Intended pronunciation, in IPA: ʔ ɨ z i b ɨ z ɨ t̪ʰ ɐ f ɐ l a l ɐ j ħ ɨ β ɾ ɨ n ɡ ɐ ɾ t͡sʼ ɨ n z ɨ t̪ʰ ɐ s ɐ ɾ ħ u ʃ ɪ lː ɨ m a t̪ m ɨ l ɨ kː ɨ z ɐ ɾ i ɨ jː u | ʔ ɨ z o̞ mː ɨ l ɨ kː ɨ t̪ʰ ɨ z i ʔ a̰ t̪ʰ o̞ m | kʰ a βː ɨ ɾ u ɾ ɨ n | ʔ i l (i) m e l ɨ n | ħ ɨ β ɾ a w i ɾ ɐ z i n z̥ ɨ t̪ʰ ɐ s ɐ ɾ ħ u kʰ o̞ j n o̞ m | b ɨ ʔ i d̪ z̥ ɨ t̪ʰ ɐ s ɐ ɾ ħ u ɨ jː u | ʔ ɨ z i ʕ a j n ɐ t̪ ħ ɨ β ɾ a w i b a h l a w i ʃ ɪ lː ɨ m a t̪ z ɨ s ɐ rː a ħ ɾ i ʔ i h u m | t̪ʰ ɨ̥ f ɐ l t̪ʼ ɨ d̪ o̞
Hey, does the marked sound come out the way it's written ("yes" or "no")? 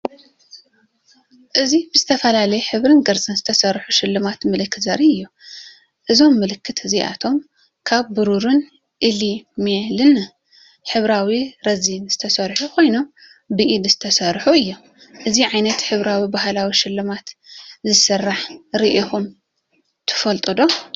yes